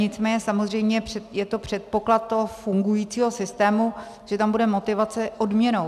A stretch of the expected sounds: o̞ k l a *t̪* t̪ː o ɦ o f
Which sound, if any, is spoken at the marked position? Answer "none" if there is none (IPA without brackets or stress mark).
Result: t̪